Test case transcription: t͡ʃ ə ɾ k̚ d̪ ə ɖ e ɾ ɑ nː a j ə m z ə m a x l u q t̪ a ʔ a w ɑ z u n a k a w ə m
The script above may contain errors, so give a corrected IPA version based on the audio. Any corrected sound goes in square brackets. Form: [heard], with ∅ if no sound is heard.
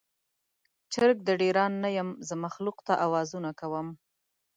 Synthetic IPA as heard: t͡ʃ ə ɾ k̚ d̪ ə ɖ e ɾ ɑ nː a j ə m z ə m a x l u q t̪ a ʔ a w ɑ z u n a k a w ə m